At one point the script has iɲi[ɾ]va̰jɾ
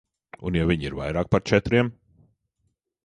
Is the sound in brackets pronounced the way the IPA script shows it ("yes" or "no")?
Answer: yes